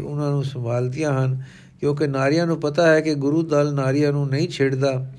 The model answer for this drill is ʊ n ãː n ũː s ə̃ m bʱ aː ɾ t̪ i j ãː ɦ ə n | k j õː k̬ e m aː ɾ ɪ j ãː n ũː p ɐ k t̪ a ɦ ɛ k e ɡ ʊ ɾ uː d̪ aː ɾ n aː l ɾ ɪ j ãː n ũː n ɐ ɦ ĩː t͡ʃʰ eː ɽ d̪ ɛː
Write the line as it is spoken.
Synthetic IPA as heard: ʊ n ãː n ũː s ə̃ m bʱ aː l t̪ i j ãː ɦ ə n | k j õː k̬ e n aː ɾ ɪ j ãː n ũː p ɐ t̪ a ɦ ɛ k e ɡ ʊ ɾ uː d̪ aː l n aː ɾ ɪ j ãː n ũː n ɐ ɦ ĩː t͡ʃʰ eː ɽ d̪ aː